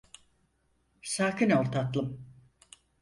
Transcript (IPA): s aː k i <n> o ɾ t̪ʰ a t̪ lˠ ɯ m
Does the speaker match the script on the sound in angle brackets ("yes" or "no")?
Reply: yes